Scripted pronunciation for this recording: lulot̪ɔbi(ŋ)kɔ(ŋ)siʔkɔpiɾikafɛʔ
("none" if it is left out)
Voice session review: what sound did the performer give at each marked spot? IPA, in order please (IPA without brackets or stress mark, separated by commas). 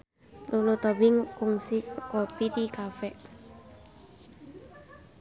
ŋ, ŋ